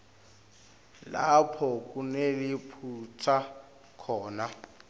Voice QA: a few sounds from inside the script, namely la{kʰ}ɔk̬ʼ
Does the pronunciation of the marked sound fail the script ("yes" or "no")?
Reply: yes